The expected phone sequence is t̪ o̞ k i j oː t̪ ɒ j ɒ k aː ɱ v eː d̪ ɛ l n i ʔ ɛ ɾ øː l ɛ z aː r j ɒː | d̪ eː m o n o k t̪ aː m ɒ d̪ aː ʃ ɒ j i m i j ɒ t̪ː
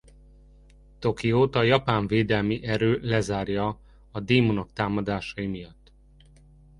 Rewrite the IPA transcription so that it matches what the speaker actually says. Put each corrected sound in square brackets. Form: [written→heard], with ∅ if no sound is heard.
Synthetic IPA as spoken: t̪ o̞ k i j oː t̪ ɒ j ɒ [k→p] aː ɱ v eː d̪ ɛ l [n→m] i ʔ ɛ ɾ øː l ɛ z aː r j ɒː | d̪ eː m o n o k t̪ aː m ɒ d̪ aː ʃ ɒ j i m i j ɒ t̪ː